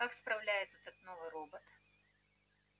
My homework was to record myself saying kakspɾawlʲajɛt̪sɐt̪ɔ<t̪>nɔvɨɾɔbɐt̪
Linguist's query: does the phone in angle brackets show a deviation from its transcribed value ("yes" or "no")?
no